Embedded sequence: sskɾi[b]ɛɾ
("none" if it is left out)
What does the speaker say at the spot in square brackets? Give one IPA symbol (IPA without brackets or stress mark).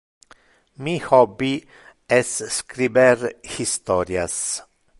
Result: b